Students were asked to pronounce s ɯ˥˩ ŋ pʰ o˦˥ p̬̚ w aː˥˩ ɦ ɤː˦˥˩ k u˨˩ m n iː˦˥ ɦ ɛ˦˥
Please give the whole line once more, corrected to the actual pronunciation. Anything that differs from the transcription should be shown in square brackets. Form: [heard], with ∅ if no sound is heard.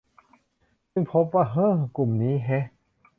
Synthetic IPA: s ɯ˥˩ ŋ pʰ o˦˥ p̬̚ w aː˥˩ ɦ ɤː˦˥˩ k u˨˩ m n iː˦˥ ɦ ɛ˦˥

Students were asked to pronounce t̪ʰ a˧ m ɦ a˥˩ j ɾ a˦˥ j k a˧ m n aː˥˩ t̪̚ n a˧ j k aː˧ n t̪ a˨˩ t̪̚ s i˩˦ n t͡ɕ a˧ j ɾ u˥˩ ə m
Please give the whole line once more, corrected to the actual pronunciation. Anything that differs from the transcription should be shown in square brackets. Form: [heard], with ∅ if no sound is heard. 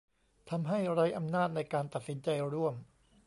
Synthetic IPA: t̪ʰ a˧ m ɦ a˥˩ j ɾ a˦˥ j [ʔ] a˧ m n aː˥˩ t̪̚ n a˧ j k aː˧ n t̪ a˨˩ t̪̚ s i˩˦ n t͡ɕ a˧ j ɾ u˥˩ ə m

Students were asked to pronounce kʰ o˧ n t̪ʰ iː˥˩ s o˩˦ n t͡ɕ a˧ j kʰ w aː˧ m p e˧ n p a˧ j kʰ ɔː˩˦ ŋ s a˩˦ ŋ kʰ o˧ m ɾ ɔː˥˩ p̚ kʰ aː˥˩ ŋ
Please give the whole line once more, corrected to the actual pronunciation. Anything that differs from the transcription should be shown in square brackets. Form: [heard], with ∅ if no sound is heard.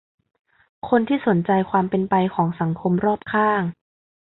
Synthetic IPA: kʰ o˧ n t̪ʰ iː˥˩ s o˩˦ n t͡ɕ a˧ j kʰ w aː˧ m p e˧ n p a˧ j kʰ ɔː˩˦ ŋ s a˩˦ ŋ kʰ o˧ m ɾ ɔː˥˩ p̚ kʰ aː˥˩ ŋ

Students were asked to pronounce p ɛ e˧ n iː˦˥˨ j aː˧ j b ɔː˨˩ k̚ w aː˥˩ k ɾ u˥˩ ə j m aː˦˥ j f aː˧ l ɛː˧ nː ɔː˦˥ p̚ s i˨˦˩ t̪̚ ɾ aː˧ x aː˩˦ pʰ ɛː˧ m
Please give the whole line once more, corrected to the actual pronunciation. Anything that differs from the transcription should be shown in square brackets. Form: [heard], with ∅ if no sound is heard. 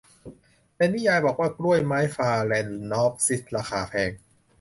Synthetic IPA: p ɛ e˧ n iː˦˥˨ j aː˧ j b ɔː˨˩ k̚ w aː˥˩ k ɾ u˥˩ ə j m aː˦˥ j f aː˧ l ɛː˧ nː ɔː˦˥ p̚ s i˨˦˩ t̪̚ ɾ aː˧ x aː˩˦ pʰ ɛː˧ [ŋ]

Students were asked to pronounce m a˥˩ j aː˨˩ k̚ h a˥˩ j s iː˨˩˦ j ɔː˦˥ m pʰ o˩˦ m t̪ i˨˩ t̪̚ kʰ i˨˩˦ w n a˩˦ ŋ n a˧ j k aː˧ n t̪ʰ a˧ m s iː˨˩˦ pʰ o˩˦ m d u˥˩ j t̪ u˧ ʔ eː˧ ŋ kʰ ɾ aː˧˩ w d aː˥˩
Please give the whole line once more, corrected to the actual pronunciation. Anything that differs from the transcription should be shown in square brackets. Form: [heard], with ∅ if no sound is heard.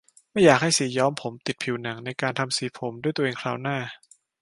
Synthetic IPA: m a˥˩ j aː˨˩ k̚ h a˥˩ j s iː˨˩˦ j ɔː˦˥ m pʰ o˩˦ m t̪ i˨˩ t̪̚ [pʰ] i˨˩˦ w n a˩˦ ŋ n a˧ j k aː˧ n t̪ʰ a˧ m s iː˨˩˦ pʰ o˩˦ m d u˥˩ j t̪ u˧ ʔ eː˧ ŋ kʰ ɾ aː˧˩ w [n] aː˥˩

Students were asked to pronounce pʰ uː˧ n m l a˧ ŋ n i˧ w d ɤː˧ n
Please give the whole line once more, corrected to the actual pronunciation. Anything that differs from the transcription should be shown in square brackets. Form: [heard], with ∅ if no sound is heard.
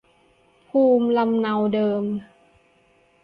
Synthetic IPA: pʰ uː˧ [∅] m l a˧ [m] n [a˧] w d ɤː˧ [m]

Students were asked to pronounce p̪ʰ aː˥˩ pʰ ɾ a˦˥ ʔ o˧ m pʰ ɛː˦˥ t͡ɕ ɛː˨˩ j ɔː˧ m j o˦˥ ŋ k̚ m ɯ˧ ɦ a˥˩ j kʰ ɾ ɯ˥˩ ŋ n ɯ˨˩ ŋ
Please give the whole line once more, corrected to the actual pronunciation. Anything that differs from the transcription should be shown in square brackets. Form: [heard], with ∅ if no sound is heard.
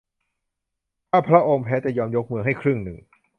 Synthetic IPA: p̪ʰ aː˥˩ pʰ ɾ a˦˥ ʔ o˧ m pʰ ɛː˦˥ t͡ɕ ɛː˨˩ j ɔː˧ m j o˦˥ [∅] k̚ m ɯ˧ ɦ a˥˩ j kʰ ɾ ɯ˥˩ ŋ n ɯ˨˩ ŋ

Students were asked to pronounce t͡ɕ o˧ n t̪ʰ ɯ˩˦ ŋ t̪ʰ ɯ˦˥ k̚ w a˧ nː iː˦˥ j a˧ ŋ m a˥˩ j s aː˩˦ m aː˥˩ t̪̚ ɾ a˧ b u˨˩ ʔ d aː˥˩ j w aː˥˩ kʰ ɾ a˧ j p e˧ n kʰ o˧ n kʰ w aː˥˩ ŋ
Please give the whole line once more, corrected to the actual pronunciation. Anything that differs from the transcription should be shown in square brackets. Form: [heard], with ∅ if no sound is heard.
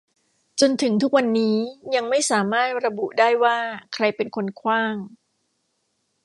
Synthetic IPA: t͡ɕ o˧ n t̪ʰ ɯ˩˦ ŋ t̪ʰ [u˦˥] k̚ w a˧ nː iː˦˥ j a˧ ŋ m a˥˩ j s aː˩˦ m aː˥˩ t̪̚ ɾ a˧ b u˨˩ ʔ d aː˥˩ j w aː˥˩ kʰ ɾ a˧ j p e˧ n kʰ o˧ n kʰ w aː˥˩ ŋ

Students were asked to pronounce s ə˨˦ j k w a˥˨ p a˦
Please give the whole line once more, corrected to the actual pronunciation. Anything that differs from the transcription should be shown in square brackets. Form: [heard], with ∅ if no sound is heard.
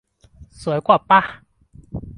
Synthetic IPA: s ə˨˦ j k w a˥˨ p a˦

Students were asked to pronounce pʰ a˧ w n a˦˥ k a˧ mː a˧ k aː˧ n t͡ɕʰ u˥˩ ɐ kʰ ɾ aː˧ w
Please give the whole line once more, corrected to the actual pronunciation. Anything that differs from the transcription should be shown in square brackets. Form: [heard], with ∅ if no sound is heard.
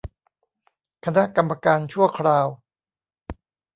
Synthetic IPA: [kʰ] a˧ [∅] n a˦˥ k a˧ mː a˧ k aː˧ n t͡ɕʰ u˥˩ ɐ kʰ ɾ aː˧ w

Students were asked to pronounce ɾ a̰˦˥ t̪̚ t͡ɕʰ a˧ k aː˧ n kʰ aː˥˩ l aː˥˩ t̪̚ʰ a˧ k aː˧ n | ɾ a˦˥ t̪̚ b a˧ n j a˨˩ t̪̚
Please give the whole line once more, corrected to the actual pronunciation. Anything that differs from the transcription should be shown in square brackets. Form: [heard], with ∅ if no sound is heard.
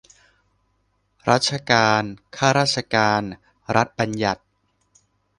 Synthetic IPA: ɾ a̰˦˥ t̪̚ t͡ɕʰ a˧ k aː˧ n kʰ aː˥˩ [ɾ] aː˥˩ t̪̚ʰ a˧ k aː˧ n | ɾ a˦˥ t̪̚ b a˧ n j a˨˩ t̪̚

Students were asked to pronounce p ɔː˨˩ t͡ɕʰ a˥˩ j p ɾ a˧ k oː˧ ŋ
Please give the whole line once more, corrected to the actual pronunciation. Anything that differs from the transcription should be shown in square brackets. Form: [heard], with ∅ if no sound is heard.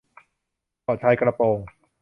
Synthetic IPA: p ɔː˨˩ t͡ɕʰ [a˧] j [k] ɾ a˧ [p] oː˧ ŋ

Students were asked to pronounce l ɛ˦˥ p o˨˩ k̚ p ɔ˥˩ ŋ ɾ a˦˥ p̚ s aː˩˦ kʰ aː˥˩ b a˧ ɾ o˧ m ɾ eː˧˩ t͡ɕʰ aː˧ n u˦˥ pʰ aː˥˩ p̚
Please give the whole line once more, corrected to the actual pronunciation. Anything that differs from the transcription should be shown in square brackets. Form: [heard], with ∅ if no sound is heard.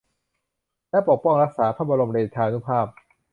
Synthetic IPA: l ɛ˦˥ p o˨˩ k̚ p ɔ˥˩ ŋ ɾ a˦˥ [k̚] s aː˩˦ [pʰ] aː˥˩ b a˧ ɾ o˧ m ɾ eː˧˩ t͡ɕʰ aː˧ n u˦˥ pʰ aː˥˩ p̚

